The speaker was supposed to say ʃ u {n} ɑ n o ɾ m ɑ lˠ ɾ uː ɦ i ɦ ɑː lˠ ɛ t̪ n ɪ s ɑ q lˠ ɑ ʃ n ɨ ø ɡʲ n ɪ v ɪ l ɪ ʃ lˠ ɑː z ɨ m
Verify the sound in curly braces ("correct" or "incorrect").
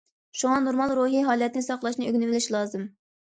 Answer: incorrect